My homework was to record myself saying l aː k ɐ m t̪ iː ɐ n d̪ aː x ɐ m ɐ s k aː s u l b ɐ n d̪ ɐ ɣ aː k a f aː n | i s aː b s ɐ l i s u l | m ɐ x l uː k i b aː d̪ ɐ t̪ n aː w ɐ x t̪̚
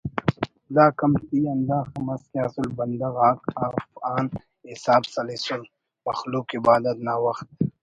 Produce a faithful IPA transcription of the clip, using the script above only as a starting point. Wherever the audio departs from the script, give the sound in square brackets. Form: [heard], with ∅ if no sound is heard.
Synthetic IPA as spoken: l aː k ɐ m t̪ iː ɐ n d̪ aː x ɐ m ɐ s k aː s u l b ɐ n d̪ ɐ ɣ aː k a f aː n | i s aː b s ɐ l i s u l | m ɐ x l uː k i b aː d̪ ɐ t̪ n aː w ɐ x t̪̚